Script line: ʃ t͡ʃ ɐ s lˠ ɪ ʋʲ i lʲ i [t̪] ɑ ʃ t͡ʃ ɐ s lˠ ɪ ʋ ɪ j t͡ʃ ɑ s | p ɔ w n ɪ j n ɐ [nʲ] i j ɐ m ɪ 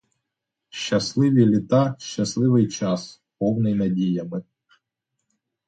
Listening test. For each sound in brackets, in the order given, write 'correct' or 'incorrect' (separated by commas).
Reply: correct, incorrect